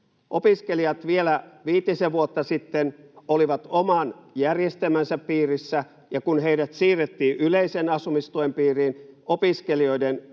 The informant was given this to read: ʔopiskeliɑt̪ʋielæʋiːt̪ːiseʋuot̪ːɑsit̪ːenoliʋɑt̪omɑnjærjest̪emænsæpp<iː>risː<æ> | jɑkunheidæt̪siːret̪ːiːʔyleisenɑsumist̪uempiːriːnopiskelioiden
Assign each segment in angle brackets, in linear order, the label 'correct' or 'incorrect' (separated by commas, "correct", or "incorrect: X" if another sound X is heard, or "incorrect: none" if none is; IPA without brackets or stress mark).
correct, correct